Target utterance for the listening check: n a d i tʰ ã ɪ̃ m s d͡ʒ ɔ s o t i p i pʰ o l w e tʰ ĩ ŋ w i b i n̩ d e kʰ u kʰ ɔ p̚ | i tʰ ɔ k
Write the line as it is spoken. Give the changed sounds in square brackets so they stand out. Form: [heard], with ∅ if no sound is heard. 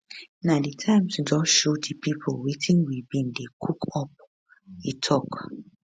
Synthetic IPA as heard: n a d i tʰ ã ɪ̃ m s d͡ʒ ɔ [ʃ] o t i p i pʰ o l w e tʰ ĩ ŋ w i b i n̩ d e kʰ u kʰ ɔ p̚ | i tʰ ɔ k